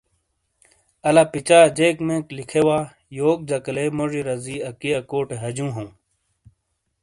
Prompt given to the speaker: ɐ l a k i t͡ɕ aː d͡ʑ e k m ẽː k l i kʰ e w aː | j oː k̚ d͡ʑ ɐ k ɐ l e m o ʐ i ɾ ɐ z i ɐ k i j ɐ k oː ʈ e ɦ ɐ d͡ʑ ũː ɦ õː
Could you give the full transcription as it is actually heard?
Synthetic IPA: ɐ l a p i t͡ɕ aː d͡ʑ e k m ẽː k l i kʰ e w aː | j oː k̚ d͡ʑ ɐ k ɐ l e m o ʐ i ɾ ɐ z i ɐ k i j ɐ k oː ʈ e ɦ ɐ d͡ʑ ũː ɦ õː

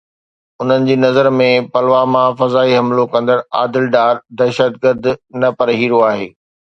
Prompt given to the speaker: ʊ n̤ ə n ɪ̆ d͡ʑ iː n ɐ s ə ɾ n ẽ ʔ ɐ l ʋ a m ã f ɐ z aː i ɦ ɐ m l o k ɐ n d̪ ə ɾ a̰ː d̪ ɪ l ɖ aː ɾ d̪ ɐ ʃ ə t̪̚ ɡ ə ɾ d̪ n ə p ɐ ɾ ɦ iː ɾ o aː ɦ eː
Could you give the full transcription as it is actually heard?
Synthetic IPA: ʊ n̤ ə n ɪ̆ d͡ʑ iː n ɐ z ə ɾ m ẽ p ɐ l ʋ a m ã f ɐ z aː i ɦ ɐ m l o k ɐ̃ n d̪ ə ɾ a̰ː d̪ ɪ l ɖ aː ɾ d̪ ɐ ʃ ə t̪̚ ɡ ə ɾ d̪ n ɐ p ɐ ɾ ɦ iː ɾ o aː ɦ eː

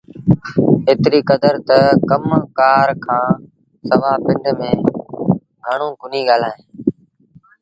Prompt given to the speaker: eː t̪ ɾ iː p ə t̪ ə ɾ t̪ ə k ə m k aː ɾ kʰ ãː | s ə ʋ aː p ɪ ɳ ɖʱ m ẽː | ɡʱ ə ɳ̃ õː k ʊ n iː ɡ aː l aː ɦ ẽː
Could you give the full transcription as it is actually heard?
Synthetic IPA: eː t̪ ɾ iː k ə d̪ ə ɾ t̪ ə k ə m k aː ɾ kʰ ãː | s ə ʋ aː p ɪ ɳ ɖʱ m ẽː | ɡʱ ə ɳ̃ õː k ʊ n iː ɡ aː l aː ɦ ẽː

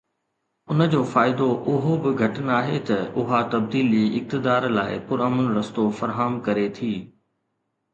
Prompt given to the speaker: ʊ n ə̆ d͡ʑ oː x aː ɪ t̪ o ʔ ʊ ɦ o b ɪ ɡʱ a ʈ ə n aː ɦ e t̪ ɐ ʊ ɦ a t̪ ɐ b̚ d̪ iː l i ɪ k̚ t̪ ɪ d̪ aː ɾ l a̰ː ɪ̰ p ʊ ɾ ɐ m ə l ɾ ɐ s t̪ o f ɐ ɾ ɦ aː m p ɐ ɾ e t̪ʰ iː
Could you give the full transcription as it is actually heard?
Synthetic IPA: ʊ n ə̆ d͡ʑ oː f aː ɪ d̪ o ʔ ʊ ɦ o b ɪ ɡʱ ɐ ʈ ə n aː ɦ e t̪ ɐ ʊ ɦ a t̪ ɐ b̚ d̪ iː l i ɪ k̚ t̪ ɪ d̪ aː ɾ l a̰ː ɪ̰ p ʊ ɾ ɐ m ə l ɾ ɐ s t̪ o f ɐ ɾ ɦ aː m k ɐ ɾ e t̪ʰ iː

